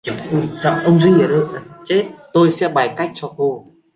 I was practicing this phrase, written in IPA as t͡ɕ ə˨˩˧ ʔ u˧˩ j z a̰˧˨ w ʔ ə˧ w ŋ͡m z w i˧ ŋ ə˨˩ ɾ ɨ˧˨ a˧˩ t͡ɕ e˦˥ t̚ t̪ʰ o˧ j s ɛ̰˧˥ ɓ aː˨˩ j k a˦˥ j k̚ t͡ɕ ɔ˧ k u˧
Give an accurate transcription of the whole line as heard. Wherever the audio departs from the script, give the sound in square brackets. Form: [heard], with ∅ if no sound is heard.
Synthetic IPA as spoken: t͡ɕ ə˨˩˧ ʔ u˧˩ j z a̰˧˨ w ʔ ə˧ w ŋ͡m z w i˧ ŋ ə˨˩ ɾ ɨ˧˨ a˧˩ t͡ɕ e˦˥ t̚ [t̪] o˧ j s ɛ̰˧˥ ɓ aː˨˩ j k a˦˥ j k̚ t͡ɕ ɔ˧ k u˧